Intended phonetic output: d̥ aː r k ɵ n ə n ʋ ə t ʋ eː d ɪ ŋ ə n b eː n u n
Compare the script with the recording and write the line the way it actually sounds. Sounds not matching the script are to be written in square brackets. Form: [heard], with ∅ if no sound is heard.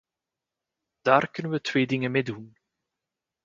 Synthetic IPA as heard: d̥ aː r k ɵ n ə n ʋ ə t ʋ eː d ɪ ŋ ə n [m] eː [d] u n